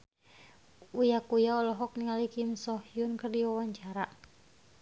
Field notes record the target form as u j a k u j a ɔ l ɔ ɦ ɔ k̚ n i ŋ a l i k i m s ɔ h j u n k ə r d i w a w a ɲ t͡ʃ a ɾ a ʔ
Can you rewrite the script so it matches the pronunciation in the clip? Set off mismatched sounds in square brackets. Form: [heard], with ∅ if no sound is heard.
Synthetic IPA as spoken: u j a k u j a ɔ l ɔ ɦ ɔ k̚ n i ŋ a l i k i m s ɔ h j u n k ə r d i w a w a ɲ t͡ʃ a ɾ a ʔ